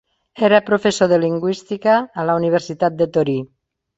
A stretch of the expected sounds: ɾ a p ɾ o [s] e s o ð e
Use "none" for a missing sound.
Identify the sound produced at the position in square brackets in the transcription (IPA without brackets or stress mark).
f